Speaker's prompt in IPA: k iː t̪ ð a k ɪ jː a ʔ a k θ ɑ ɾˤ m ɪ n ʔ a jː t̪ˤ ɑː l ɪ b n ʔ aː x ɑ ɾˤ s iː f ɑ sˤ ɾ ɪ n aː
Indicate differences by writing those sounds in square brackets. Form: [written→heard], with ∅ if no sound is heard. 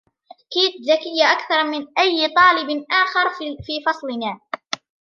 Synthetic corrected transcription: k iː t̪ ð a k ɪ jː a ʔ a k θ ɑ ɾˤ m ɪ n ʔ a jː t̪ˤ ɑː l ɪ b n ʔ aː x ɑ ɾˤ [s→f] iː f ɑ sˤ [ɾ→l] ɪ n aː